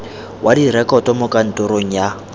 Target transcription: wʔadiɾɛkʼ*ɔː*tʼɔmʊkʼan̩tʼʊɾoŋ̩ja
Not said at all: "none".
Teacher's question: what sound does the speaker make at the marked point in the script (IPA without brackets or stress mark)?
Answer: ɔ